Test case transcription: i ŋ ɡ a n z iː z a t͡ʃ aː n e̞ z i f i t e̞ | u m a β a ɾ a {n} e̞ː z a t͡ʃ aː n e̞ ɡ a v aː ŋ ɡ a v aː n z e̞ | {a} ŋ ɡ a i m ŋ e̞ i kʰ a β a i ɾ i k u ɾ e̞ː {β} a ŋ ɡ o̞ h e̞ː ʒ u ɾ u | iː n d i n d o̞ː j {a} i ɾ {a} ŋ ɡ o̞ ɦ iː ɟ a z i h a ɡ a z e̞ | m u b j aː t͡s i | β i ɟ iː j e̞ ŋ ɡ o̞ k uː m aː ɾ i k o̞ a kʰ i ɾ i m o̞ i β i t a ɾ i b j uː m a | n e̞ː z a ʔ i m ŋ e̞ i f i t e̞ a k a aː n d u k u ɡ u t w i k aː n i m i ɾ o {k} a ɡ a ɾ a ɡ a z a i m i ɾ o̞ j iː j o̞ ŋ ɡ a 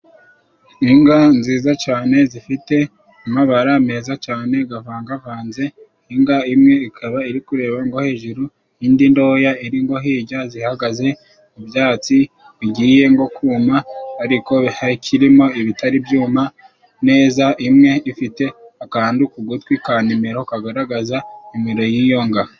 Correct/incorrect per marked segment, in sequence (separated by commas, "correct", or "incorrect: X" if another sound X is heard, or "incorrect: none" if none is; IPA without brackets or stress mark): incorrect: m, incorrect: i, correct, correct, incorrect: i, correct